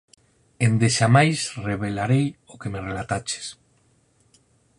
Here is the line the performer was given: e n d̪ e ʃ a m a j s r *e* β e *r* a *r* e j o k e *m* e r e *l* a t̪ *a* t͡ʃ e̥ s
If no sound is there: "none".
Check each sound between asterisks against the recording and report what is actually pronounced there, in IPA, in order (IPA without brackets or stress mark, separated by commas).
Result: e, l, ɾ, m, l, a